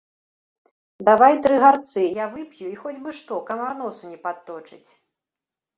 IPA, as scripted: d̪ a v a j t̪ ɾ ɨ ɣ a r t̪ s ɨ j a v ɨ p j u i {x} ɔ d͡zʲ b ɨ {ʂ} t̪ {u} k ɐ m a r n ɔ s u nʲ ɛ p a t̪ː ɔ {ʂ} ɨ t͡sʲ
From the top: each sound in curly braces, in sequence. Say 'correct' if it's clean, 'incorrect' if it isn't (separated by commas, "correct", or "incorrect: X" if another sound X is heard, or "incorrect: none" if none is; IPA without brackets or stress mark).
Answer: correct, correct, incorrect: ɔ, incorrect: t͡ʂ